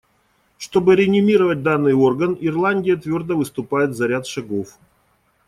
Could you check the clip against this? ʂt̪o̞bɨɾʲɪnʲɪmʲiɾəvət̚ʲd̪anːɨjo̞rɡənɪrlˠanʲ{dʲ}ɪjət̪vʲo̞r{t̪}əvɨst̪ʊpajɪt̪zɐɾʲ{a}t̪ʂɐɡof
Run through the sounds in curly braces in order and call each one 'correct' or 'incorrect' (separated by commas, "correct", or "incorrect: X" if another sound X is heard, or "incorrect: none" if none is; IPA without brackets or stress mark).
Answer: correct, incorrect: d̪, correct